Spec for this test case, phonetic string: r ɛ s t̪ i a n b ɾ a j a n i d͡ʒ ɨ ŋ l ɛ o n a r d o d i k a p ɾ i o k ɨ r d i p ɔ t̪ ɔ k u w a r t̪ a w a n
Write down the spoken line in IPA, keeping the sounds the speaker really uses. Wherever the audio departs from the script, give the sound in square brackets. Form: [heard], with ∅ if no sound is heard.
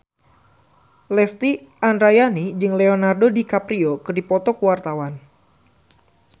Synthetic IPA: [l] ɛ s t̪ i a n [d] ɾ a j a n i d͡ʒ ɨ ŋ l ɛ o n a r d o d i k a p ɾ i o k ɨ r d i p ɔ t̪ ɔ k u w a r t̪ a w a n